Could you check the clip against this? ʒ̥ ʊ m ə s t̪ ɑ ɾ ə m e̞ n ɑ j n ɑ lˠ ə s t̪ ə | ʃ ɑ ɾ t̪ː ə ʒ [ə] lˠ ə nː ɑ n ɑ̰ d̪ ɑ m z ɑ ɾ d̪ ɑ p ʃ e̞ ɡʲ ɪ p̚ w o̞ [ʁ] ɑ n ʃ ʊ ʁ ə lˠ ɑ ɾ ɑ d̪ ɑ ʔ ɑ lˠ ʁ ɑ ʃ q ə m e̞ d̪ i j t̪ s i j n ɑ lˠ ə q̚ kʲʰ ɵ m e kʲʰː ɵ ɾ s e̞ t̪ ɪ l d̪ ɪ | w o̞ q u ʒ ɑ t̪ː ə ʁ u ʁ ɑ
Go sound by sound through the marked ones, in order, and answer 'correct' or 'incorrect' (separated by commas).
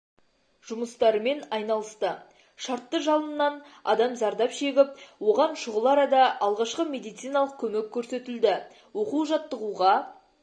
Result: incorrect, correct